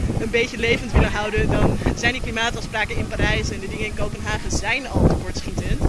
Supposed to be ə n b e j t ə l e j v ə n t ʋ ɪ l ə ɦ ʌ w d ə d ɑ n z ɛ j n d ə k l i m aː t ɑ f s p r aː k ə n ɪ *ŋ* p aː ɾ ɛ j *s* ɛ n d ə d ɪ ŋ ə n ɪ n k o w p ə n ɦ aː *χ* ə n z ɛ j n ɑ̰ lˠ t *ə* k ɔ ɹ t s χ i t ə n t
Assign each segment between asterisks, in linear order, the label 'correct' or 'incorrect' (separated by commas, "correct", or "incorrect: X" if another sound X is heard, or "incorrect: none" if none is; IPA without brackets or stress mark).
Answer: incorrect: n, correct, correct, correct